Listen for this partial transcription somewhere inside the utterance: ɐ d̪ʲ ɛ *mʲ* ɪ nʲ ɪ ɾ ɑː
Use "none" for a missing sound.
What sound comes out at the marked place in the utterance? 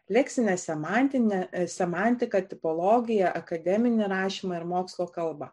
mʲ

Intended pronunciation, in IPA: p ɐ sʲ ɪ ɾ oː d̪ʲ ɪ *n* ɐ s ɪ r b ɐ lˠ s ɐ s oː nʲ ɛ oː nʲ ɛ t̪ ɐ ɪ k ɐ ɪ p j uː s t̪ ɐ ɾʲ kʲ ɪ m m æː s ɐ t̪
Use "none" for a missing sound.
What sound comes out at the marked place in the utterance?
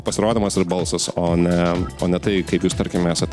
m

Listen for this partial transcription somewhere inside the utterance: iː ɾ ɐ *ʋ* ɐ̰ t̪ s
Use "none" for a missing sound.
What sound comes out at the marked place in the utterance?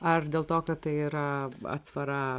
none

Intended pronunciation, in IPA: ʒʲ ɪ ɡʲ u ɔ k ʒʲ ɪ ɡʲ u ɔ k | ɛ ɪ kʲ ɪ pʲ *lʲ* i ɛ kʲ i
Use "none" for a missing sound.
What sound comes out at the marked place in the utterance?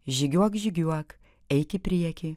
ɾʲ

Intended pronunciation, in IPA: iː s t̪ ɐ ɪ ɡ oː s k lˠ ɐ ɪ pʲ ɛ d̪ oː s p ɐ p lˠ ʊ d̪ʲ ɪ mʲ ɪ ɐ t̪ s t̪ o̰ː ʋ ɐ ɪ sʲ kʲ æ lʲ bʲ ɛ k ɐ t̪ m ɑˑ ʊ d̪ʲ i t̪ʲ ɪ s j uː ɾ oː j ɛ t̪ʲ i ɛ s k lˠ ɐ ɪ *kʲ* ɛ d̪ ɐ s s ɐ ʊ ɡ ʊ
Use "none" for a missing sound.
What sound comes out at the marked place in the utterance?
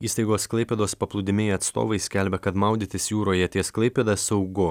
pʲ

